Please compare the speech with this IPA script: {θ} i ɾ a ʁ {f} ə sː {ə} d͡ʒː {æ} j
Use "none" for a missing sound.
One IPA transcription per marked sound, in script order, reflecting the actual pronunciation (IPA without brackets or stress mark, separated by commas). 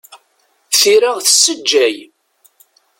θ, θ, ə, æ